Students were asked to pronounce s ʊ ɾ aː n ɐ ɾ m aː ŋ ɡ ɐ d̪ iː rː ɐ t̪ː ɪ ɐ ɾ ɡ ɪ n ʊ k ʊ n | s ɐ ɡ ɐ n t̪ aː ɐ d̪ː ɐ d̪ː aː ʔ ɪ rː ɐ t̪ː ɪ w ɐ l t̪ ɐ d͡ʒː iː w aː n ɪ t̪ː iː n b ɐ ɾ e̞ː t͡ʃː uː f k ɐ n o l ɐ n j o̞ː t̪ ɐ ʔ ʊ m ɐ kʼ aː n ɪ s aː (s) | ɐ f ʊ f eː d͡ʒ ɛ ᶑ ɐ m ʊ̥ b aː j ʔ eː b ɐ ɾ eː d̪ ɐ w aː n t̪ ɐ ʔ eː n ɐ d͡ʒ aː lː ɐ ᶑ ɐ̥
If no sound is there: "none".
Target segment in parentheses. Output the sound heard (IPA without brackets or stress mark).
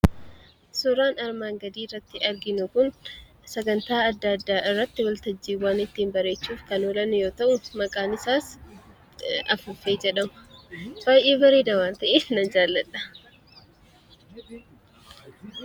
s